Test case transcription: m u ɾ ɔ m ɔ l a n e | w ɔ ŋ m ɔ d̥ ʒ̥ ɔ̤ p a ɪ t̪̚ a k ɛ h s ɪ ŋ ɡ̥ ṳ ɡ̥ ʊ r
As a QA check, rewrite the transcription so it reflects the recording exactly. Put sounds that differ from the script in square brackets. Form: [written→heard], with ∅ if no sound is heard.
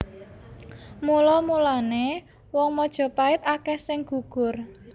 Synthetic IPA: m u [ɾ→l] ɔ m [ɔ→u] l a n e | w ɔ ŋ m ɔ d̥ ʒ̥ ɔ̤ p a ɪ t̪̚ a k ɛ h s ɪ ŋ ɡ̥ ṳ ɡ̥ ʊ r